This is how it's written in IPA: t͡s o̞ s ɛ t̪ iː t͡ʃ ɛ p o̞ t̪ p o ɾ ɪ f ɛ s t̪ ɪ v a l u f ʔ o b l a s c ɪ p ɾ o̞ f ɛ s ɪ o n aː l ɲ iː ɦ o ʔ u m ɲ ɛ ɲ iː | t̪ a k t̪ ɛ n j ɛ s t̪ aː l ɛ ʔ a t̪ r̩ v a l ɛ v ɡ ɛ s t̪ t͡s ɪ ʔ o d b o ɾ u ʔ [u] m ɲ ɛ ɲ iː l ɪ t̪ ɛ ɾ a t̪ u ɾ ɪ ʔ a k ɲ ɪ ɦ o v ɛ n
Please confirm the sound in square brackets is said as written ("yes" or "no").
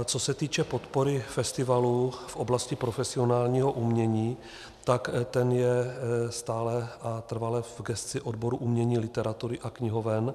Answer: yes